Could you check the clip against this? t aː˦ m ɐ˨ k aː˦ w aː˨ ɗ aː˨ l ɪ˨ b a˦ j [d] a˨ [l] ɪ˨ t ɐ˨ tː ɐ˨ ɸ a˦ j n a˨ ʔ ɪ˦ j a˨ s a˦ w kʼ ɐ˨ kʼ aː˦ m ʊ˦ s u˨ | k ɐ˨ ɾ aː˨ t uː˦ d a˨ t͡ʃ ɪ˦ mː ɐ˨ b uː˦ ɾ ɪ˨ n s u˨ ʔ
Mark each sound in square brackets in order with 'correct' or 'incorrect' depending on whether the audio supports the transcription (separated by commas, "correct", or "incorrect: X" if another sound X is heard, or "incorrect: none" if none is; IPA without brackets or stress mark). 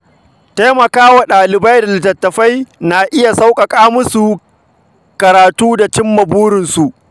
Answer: correct, correct